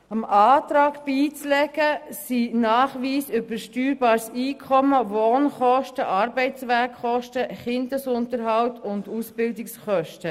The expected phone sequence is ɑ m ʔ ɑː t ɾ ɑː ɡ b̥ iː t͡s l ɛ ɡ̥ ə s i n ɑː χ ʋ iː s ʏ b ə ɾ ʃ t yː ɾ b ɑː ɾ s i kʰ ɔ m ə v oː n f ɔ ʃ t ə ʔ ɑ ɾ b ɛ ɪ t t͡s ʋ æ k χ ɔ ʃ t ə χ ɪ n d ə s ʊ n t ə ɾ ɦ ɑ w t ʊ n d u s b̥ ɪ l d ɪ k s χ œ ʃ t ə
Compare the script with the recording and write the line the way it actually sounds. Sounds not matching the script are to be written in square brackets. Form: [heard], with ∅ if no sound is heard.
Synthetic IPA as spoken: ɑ m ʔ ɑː t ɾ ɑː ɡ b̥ iː t͡s l ɛ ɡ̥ ə s i n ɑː χ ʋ iː s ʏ b ə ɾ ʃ t yː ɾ b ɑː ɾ s [iː] kʰ ɔ m ə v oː n [χ] ɔ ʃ t ə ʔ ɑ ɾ b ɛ ɪ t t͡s ʋ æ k χ ɔ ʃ t ə χ ɪ n d ə s ʊ n t ə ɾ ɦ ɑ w t ʊ n d u s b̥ ɪ l d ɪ k s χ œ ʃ t ə